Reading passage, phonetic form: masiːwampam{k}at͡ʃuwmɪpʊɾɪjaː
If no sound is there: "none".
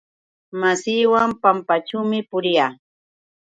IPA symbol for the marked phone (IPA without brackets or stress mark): p